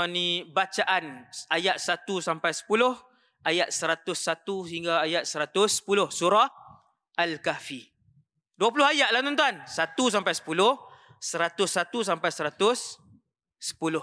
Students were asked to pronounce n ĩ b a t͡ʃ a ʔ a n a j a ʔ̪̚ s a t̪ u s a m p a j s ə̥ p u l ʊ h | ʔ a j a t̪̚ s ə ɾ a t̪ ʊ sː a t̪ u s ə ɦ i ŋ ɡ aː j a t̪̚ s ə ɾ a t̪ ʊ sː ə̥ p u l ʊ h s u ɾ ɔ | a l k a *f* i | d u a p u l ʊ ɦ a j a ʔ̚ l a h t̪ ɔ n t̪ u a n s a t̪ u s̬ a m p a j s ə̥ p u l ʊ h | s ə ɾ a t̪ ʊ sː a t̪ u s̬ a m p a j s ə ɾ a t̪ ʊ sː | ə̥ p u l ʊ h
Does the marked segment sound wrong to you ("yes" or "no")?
no